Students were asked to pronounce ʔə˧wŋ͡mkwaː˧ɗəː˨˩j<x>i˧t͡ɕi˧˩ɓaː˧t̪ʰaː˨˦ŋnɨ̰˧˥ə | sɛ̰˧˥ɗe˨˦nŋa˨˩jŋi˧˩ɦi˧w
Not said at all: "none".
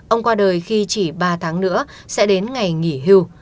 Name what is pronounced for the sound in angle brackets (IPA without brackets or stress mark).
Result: x